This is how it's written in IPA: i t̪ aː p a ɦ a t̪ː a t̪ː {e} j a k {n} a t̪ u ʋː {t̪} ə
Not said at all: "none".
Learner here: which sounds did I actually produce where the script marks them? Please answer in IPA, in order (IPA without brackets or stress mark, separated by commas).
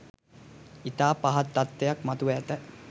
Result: e, m, t̪